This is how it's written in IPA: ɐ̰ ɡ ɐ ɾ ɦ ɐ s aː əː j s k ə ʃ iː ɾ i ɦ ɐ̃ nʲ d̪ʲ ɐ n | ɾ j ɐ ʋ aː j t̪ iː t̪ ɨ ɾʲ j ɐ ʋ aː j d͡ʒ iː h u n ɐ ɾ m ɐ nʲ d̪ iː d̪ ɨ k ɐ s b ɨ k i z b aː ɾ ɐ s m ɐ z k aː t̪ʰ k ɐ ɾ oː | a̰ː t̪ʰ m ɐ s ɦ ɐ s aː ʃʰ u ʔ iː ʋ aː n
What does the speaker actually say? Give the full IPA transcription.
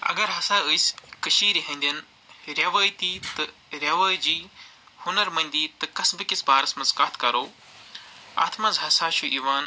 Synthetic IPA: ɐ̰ ɡ ɐ ɾ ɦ ɐ s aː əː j s k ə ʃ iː ɾ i ɦ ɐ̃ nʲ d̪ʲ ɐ n | ɾ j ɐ ʋ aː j t̪ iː t̪ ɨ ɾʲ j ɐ ʋ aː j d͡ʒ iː h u n ɐ ɾ m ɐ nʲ d̪ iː t̪ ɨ k ɐ s b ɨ k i s b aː ɾ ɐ s m ɐ z k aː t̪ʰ k ɐ ɾ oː | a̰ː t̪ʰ m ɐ z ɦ ɐ s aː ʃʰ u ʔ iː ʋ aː n

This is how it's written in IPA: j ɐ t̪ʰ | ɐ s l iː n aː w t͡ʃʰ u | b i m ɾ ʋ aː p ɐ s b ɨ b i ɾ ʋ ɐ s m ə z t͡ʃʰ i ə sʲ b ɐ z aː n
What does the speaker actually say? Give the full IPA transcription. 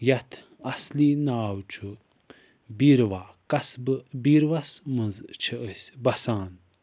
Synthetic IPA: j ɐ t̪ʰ | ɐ s l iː n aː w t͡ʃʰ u | b i ɾ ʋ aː k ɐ s b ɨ b i ɾ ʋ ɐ s m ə z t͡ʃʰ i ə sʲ b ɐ s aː n

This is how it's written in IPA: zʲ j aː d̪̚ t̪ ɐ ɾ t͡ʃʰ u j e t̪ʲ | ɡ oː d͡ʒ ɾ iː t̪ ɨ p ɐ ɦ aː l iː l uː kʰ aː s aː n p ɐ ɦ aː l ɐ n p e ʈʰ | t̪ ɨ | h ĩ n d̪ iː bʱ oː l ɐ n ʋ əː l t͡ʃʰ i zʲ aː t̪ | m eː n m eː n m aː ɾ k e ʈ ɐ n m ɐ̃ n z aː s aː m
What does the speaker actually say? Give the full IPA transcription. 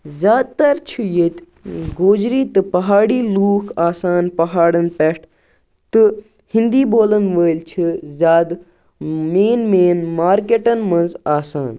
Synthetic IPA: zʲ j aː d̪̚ t̪ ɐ ɾ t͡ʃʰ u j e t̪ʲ | ɡ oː d͡ʒ ɾ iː t̪ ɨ p ɐ ɦ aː ɽ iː l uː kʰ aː s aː n p ɐ ɦ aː ɽ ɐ n p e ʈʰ | t̪ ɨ | h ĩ n d̪ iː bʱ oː l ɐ n ʋ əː l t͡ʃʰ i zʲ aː d̪ | m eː n m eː n m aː ɾ k e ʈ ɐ n m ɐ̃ n z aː s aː n

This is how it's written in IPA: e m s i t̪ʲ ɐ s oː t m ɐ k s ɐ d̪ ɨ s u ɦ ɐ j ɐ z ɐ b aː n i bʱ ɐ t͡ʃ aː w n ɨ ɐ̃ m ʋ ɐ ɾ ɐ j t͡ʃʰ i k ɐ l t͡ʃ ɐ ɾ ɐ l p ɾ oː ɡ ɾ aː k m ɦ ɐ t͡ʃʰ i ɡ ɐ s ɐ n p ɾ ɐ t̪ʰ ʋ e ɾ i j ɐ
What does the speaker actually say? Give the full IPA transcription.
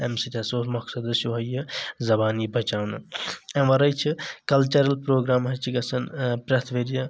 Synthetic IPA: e m s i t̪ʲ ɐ s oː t m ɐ k s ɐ d̪ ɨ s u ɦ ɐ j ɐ z ɐ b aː n i bʱ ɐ t͡ʃ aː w n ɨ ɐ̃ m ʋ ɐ ɾ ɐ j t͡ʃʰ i k ɐ l t͡ʃ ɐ ɾ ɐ l p ɾ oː ɡ ɾ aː m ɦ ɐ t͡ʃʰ i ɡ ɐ s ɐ n p ɾ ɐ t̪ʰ ʋ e ɾ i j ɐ

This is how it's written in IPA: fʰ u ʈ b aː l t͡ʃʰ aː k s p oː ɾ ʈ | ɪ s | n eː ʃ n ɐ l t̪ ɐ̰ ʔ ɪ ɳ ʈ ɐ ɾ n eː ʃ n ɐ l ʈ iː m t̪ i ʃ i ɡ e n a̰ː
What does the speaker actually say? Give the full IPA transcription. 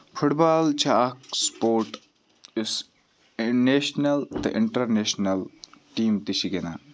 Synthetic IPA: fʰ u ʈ b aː l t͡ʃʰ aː k s p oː ɾ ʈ | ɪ s | n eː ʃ n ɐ l t̪ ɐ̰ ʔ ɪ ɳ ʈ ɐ ɾ n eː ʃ n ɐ l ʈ iː m t̪ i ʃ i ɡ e n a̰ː

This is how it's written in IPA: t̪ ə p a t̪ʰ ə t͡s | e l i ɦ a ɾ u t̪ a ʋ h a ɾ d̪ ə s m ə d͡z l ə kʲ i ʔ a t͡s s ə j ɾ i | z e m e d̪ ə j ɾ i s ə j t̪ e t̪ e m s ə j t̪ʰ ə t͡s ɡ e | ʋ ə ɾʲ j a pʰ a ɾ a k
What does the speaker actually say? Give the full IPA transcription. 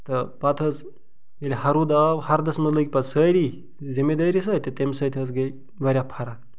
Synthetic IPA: t̪ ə p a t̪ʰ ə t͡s | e l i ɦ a ɾ u d̪ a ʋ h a ɾ d̪ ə s m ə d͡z l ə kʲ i p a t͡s s ə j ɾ i | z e m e d̪ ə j ɾ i s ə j t̪ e t̪ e m s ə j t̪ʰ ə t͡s ɡ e | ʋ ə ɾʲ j a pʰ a ɾ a k

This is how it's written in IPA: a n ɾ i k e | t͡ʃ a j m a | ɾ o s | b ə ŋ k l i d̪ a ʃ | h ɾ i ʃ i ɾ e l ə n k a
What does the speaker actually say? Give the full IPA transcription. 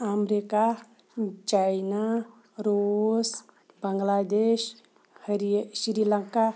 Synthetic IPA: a m ɾ i k a | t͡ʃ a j n a | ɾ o s | b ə ŋ ɡ l a d̪ e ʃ | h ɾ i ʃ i ɾ i l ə ŋ k a

